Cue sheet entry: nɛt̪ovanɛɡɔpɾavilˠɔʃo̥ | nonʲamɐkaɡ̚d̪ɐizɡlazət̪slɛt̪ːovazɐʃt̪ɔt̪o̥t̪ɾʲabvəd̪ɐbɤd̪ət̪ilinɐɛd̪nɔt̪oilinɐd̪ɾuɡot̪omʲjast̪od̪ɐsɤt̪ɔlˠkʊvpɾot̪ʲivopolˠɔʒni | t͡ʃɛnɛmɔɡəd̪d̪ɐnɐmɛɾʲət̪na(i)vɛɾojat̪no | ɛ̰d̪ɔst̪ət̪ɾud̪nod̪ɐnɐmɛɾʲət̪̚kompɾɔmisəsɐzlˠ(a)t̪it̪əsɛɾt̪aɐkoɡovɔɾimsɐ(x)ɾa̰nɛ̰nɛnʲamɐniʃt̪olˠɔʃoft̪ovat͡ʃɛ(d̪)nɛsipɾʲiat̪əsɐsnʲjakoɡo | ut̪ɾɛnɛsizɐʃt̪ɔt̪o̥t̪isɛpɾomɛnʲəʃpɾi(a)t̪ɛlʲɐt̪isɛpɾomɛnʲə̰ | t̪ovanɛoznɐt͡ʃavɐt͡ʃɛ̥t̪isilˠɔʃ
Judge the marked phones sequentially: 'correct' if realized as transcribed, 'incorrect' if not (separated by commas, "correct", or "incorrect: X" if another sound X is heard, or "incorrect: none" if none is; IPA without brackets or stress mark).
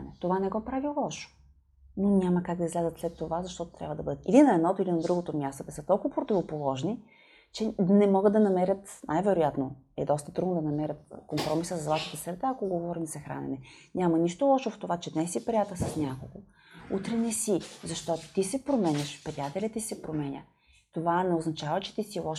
incorrect: j, correct, correct, correct, correct